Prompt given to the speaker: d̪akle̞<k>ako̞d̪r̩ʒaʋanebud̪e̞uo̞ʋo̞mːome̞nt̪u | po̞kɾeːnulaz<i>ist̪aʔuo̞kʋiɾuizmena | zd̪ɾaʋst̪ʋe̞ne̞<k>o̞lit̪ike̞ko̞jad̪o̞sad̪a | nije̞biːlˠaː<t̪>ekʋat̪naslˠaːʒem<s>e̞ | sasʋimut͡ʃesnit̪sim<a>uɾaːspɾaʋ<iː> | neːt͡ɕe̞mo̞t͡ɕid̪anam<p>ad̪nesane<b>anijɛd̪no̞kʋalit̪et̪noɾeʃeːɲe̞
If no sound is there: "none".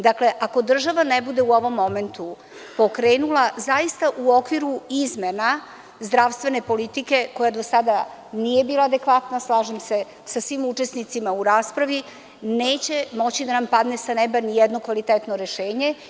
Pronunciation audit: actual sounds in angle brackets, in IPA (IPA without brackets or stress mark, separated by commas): ʔ, a, p, d̪, s, a, i, p, b